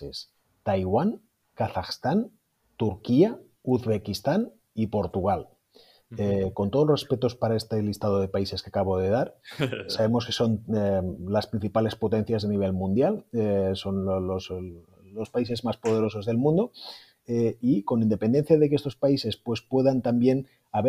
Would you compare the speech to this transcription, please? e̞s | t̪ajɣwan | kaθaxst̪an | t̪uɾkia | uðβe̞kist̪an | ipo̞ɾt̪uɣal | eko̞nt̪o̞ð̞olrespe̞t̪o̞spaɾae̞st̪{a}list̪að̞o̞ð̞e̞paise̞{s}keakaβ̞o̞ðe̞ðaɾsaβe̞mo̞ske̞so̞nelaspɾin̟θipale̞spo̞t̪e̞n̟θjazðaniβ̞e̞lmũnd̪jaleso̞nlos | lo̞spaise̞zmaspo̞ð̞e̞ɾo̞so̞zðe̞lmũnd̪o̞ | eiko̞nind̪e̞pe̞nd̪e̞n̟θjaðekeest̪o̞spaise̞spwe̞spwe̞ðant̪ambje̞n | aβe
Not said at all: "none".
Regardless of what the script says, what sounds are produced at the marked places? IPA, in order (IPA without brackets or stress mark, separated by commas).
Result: e, s